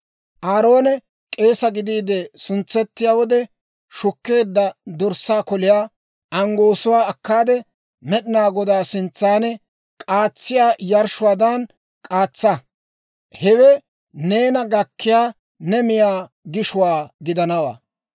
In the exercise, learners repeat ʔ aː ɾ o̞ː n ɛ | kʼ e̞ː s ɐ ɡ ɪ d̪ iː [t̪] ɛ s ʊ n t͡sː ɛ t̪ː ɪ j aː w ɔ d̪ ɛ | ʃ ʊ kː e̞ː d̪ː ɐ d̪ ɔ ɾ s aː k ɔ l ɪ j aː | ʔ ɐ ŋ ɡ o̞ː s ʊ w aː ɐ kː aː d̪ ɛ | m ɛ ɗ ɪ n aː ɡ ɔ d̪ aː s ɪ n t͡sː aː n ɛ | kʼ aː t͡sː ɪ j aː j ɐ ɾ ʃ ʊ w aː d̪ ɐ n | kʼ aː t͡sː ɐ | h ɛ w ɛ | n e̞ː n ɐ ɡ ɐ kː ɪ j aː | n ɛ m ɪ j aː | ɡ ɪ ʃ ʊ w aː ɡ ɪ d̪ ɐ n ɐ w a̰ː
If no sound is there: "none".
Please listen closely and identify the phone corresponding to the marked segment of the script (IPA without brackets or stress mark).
d̪